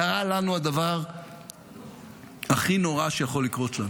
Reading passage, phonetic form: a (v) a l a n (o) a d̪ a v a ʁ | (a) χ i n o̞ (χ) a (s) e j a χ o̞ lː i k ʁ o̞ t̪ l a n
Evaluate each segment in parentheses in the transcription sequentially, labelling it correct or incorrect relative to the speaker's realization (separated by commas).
incorrect, incorrect, correct, incorrect, incorrect